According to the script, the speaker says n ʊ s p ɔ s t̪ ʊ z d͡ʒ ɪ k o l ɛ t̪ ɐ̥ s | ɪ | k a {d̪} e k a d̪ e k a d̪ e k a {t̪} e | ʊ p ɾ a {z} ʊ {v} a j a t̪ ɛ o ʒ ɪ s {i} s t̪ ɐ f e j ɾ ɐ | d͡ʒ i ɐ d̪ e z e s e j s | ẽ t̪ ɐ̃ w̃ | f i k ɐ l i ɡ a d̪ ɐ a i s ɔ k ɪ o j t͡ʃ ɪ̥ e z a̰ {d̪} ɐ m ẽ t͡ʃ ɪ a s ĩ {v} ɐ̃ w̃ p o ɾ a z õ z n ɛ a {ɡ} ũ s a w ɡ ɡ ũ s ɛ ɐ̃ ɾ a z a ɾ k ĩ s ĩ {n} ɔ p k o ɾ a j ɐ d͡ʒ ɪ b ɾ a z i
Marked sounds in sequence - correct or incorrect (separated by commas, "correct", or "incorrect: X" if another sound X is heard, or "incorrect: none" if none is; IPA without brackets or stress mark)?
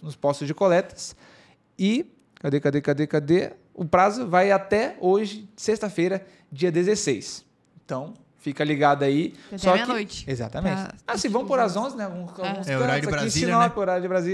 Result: correct, incorrect: d̪, correct, correct, incorrect: e, incorrect: t̪, correct, correct, correct